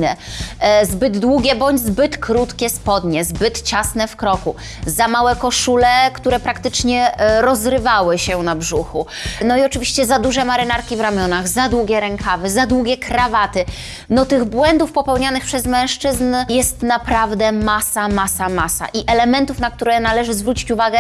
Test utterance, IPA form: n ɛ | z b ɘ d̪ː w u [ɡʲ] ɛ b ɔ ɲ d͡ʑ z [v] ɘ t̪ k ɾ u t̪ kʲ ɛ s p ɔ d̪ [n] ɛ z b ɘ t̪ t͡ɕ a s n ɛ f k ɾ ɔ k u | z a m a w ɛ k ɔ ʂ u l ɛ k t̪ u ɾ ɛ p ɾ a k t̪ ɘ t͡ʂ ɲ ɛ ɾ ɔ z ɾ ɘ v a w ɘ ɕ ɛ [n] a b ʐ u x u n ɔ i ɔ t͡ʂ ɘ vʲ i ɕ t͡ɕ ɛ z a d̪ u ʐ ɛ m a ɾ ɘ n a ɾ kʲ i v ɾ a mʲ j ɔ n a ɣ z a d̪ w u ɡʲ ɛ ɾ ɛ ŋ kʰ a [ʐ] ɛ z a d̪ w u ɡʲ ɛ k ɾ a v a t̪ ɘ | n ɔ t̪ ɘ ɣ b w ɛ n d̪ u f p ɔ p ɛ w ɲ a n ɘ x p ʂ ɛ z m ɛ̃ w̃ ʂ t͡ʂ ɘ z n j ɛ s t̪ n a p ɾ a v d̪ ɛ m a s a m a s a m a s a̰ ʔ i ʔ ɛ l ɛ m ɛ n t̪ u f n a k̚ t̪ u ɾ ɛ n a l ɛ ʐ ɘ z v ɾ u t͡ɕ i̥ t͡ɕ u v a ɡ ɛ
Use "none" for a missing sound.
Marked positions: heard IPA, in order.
ɡʲ, b, ɲ, n, v

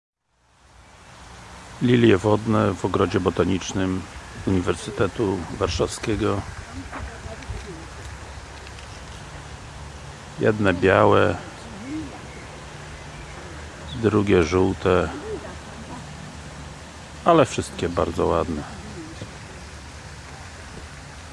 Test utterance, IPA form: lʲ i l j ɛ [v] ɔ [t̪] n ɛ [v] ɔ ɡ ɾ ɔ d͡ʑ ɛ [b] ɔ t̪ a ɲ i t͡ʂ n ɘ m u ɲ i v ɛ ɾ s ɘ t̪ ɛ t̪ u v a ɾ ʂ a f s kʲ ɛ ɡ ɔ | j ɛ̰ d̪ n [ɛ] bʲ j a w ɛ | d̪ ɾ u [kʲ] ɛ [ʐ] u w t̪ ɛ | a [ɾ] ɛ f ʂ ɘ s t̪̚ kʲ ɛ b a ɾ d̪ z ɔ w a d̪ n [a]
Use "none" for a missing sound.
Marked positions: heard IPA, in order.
v, d̪, v, b, ɛ, ɡʲ, ʐ, l, ɛ

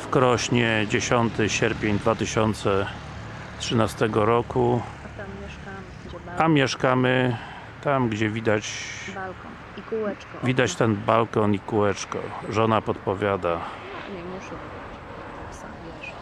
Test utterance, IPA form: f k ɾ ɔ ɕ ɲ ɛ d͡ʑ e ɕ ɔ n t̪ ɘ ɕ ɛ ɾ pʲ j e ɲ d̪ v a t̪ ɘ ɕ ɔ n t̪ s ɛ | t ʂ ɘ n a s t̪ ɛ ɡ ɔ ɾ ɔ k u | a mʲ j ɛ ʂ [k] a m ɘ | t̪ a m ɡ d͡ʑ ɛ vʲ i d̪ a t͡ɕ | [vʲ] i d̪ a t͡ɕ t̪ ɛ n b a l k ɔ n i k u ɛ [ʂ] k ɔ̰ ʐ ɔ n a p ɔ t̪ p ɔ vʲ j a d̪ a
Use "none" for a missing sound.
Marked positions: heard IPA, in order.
k, vʲ, t͡ʂ

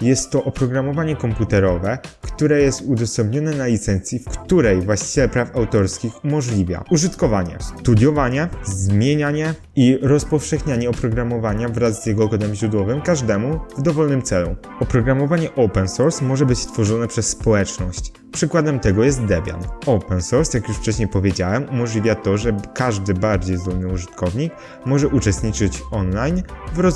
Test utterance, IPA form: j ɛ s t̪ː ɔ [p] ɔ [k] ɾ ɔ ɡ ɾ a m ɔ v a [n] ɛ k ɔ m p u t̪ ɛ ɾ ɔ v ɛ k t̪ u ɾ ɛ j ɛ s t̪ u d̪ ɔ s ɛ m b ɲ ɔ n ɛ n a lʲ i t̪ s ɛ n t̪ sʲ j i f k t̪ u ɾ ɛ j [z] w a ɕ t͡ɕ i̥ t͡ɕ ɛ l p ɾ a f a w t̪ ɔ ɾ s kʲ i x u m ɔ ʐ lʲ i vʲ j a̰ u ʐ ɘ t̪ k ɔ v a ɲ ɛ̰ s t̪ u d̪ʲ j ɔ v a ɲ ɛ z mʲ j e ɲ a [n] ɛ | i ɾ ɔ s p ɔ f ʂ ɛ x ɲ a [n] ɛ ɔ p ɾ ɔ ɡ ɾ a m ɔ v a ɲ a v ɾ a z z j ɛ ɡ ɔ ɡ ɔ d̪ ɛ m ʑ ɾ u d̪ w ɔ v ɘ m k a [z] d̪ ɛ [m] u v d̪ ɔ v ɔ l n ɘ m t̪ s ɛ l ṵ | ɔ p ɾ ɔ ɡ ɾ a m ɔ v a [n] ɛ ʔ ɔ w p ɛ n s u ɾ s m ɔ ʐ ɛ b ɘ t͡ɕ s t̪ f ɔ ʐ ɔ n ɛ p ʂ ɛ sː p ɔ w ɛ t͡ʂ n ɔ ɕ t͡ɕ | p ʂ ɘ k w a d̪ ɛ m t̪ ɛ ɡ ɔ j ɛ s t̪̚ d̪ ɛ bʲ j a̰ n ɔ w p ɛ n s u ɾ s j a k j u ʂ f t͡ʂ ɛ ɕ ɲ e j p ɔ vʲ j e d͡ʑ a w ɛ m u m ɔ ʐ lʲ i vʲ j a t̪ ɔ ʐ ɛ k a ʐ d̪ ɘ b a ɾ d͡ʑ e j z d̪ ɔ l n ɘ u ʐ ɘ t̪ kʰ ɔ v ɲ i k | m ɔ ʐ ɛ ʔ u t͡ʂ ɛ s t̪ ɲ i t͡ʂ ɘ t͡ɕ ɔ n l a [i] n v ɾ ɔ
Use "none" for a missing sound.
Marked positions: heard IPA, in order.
ʔ, p, ɲ, v, ɲ, ɲ, ʐ, m, ɲ, j

